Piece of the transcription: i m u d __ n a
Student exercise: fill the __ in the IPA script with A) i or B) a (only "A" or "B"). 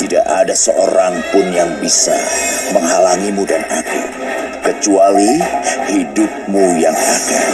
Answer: B